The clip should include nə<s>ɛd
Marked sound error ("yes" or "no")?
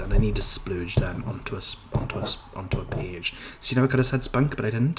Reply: no